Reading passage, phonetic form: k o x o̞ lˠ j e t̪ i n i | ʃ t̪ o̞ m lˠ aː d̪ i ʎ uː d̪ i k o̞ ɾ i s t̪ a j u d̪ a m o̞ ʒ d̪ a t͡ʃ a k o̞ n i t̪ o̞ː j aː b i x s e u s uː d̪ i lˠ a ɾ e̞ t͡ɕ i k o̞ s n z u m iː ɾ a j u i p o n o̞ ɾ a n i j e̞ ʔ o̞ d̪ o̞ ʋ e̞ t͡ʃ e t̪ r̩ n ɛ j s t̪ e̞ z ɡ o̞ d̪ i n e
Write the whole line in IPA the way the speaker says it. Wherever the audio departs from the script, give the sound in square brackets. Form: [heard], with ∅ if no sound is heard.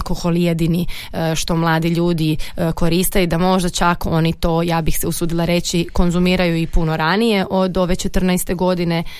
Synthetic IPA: k o x o̞ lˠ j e [d̪] i n i | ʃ t̪ o̞ m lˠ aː d̪ i ʎ uː d̪ i k o̞ ɾ i s t̪ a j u d̪ a m o̞ ʒ d̪ a t͡ʃ a k o̞ n i t̪ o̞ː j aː b i x s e u s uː d̪ i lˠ a ɾ e̞ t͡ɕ i k o̞ [∅] n z u m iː ɾ a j u i p [u] n o̞ ɾ a n i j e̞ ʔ o̞ d̪ o̞ ʋ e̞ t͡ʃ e t̪ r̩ n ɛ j s t̪ e̞ [∅] ɡ o̞ d̪ i n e